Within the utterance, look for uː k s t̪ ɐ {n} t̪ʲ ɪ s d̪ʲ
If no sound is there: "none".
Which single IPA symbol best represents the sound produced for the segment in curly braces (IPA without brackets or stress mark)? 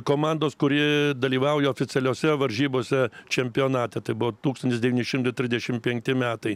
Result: n